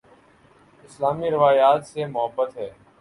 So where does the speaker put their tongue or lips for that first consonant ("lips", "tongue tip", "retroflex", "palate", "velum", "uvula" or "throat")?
tongue tip